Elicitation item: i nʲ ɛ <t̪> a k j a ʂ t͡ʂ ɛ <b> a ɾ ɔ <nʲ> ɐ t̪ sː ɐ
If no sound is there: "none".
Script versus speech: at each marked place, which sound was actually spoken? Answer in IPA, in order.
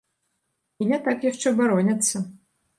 t̪, b, nʲ

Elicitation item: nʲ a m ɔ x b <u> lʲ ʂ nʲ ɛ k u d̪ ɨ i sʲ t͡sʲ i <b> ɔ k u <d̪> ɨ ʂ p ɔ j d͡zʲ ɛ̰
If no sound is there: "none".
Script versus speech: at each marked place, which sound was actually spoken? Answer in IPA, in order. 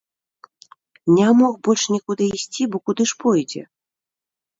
ɔ, b, d̪

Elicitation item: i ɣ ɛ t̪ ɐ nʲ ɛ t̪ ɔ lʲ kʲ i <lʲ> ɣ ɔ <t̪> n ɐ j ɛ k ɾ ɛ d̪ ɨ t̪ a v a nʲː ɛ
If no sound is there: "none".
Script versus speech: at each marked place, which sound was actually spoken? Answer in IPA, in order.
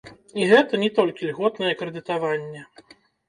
lʲ, t̪

